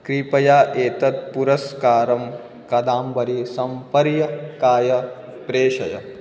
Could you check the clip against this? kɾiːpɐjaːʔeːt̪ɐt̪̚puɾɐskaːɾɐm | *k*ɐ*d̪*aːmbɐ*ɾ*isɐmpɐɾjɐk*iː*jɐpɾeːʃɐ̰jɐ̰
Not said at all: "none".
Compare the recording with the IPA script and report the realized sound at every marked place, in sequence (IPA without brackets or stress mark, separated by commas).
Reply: k, d̪, ɾ, aː